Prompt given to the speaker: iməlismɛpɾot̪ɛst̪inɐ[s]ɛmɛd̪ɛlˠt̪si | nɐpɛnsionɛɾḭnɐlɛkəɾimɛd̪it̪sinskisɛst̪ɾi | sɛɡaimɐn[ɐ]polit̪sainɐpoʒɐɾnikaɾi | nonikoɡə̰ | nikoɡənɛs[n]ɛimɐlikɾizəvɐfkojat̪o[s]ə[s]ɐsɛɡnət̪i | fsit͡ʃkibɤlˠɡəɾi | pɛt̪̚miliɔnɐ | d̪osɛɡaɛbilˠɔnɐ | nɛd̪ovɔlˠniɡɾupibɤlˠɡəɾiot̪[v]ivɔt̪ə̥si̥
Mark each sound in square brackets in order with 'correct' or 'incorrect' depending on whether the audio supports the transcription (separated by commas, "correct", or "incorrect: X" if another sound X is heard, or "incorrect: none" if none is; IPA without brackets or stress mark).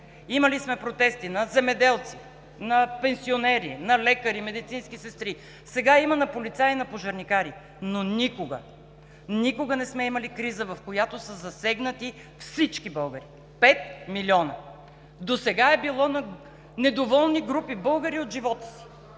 incorrect: z, correct, incorrect: m, correct, incorrect: z, incorrect: ʒ